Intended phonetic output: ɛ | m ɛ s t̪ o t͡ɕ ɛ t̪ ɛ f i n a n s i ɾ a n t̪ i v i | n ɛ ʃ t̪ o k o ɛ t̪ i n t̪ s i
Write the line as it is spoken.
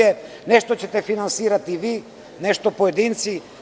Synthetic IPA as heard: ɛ | n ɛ ʃ t̪ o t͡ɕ ɛ t̪ ɛ f i n a n s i ɾ a t̪ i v i | n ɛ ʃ t̪ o p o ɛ d̪ i n t̪ s i